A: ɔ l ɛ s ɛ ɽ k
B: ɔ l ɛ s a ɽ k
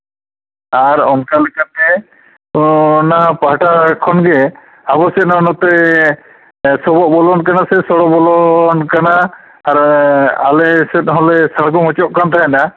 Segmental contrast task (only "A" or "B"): B